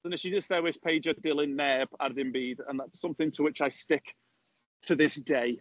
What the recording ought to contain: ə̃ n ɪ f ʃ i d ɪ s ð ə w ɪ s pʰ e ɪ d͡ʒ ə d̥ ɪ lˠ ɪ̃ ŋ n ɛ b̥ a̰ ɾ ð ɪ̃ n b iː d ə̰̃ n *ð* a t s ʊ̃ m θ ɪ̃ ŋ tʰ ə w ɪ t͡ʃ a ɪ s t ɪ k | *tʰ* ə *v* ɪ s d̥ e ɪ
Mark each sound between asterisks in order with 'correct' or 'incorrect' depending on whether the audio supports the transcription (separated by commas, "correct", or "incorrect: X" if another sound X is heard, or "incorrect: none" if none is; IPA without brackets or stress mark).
correct, correct, incorrect: ð